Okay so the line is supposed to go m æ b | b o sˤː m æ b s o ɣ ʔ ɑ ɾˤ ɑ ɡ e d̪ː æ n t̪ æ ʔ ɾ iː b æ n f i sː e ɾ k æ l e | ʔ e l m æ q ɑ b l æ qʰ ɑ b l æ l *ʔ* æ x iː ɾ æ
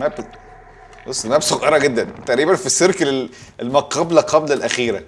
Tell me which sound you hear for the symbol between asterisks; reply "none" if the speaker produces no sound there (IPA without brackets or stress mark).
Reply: ʔ